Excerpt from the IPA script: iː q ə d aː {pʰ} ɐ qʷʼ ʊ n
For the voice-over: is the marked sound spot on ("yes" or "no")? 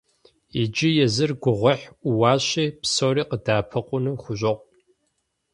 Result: yes